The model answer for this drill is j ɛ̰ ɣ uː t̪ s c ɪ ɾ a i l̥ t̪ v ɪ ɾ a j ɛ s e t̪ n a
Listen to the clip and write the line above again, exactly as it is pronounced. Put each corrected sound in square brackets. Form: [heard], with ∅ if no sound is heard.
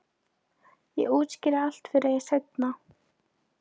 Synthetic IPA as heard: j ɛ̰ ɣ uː t̪ s c ɪ ɾ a [a] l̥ t̪ [f] ɪ ɾ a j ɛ s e t̪ n a